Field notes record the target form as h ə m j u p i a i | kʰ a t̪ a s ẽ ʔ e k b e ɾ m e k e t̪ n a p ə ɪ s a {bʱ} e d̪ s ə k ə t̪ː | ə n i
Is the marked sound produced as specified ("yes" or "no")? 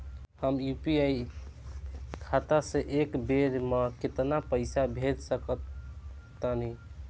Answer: yes